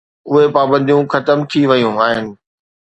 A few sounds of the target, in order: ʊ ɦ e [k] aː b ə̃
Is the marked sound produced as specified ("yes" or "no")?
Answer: no